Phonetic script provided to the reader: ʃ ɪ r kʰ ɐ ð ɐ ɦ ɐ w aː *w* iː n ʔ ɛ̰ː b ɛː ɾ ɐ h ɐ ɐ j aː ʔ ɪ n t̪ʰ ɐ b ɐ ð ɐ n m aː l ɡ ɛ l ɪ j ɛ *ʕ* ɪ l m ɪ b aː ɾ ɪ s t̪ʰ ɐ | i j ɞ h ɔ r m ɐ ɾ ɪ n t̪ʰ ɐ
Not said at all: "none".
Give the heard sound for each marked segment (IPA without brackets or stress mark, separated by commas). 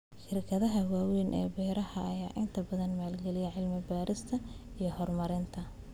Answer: w, ʕ